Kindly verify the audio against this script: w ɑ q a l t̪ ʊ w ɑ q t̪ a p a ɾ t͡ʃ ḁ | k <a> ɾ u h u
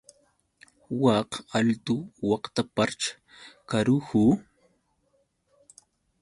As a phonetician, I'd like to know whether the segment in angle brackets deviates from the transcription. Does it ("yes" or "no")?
no